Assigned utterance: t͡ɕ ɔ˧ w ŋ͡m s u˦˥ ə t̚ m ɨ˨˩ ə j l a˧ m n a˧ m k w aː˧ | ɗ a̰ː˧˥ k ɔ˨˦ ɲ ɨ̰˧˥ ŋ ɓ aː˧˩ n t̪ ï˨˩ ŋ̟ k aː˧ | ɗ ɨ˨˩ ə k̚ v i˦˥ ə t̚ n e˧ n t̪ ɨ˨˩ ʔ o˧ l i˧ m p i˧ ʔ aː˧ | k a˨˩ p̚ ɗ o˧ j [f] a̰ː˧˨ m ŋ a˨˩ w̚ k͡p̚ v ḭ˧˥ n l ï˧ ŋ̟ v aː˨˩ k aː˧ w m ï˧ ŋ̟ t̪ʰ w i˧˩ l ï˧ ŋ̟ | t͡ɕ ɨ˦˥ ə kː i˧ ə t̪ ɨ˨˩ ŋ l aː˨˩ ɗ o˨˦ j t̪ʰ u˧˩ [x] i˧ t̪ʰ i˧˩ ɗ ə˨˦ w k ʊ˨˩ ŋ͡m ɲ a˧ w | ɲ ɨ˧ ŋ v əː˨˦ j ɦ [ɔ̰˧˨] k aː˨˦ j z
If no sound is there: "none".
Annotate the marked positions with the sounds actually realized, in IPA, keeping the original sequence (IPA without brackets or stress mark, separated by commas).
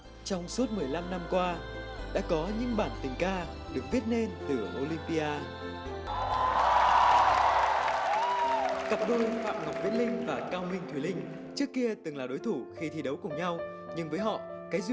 f, x, ɔ̰˧˨